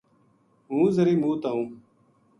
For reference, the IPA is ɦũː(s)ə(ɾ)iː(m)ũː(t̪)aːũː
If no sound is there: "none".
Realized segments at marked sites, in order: z, ɾ, m, t̪

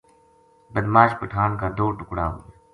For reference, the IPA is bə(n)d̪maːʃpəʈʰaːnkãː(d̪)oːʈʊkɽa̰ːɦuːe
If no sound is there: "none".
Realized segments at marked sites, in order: none, d̪

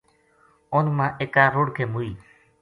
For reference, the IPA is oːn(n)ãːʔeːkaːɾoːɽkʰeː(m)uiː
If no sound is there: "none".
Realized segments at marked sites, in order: m, m

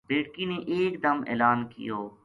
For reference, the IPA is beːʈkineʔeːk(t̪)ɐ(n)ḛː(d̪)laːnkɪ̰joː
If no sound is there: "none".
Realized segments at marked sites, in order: d̪, m, none

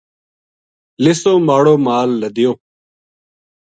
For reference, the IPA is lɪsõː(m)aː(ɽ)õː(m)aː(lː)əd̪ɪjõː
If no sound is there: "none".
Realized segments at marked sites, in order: m, ɽ, m, lː

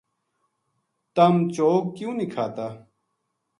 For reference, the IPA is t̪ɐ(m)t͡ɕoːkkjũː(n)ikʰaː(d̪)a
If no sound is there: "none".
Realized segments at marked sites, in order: m, n, t̪

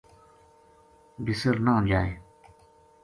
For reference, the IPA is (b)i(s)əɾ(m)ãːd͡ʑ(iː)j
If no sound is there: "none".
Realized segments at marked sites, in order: b, s, n, aː

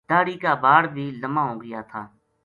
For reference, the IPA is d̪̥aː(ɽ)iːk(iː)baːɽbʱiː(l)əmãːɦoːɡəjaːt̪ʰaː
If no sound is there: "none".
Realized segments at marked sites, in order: ɽ, aː, l

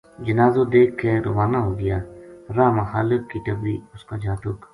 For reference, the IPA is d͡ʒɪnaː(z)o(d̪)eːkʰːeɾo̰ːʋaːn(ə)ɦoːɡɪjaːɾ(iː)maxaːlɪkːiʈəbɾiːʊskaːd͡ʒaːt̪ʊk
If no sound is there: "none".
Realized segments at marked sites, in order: z, d̪, a, aː

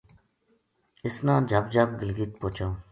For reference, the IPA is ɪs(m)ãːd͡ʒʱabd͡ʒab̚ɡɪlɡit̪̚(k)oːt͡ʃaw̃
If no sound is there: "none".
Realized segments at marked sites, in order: n, p

